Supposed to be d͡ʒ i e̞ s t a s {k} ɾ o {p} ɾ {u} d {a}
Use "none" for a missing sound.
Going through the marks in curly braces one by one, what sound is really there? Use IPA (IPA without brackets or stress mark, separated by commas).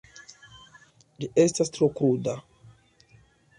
t, k, u, a